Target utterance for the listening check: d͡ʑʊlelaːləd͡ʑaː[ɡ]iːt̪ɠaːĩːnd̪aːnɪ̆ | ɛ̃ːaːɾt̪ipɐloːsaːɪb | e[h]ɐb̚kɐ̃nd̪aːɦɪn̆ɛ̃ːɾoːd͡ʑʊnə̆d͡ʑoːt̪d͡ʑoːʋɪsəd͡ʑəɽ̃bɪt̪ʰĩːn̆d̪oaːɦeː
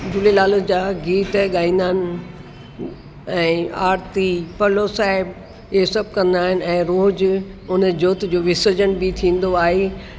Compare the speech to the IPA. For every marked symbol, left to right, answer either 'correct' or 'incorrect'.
correct, incorrect

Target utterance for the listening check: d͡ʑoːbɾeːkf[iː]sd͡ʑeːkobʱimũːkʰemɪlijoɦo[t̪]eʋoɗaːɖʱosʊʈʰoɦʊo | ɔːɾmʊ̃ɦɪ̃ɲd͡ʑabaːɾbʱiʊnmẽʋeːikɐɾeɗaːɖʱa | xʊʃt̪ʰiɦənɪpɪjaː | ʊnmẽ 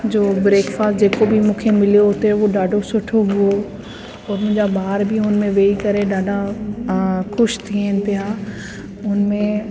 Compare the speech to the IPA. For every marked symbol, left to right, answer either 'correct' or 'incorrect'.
incorrect, correct

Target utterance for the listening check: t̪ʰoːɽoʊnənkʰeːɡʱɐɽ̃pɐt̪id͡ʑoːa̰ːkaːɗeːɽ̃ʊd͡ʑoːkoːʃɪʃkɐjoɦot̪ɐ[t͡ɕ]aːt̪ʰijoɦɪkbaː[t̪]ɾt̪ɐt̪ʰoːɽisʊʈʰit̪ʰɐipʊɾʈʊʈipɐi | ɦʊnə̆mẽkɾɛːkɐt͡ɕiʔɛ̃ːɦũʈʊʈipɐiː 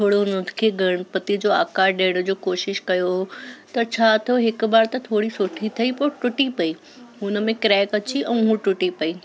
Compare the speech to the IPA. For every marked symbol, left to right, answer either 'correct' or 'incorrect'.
incorrect, incorrect

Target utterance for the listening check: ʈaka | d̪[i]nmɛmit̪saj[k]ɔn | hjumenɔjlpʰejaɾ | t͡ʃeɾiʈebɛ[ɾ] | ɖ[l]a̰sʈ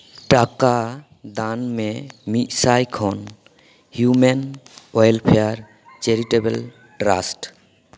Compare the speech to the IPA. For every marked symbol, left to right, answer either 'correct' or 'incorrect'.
incorrect, incorrect, incorrect, incorrect

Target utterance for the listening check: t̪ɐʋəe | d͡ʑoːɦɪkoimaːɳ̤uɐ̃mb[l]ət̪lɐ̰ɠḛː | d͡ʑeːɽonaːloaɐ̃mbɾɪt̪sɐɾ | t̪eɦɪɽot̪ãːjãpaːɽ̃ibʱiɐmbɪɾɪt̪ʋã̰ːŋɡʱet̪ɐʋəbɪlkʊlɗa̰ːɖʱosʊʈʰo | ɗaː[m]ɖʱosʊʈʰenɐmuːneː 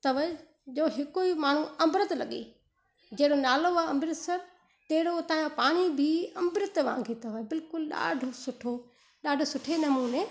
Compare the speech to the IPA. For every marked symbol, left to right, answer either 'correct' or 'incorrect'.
incorrect, incorrect

